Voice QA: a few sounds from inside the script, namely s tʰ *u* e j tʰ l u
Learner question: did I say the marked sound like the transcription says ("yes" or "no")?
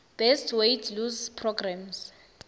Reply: no